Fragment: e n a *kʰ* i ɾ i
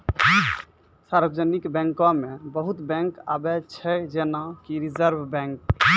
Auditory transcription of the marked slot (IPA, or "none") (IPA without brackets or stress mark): k